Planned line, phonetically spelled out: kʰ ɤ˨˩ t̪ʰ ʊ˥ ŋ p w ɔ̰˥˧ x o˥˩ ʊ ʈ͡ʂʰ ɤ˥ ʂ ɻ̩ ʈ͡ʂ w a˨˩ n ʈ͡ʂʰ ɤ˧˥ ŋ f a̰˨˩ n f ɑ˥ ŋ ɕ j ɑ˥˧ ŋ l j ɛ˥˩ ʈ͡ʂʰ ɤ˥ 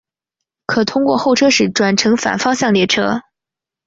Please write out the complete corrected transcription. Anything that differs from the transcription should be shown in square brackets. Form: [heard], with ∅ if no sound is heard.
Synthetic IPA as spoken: kʰ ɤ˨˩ t̪ʰ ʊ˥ ŋ [k] w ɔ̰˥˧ x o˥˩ ʊ ʈ͡ʂʰ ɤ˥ ʂ ɻ̩ ʈ͡ʂ w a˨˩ n ʈ͡ʂʰ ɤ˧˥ ŋ f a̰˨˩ n f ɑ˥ ŋ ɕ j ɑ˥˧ ŋ l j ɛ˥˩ ʈ͡ʂʰ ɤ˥